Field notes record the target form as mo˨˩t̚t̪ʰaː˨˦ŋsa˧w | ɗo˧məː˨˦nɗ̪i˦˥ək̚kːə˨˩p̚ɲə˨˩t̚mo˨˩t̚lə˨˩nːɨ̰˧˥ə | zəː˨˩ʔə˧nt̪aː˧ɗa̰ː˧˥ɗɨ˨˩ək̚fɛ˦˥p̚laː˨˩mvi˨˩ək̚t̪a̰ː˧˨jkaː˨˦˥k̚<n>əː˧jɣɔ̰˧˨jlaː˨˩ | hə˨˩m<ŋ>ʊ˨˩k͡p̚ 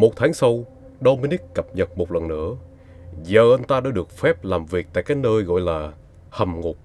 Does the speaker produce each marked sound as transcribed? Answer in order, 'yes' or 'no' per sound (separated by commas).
yes, yes